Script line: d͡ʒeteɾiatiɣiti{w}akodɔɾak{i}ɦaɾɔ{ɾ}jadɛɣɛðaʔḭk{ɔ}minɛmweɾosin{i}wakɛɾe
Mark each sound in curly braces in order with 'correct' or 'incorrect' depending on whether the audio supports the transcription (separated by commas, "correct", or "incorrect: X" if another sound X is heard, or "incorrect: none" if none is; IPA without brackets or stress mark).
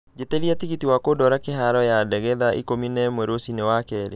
correct, incorrect: e, incorrect: none, incorrect: o, incorrect: e